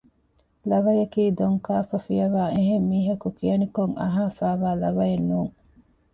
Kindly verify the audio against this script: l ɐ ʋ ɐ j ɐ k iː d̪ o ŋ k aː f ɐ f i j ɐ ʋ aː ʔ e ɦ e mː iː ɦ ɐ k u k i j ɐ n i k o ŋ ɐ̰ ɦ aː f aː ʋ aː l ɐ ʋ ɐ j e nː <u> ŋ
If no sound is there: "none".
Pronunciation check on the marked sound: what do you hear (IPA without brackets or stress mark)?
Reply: uː